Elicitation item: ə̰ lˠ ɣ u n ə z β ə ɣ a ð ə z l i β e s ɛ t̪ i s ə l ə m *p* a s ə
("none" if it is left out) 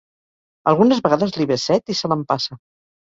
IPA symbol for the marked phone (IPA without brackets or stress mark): p